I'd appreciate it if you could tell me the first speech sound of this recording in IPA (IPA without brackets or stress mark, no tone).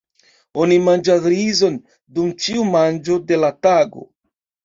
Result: o̞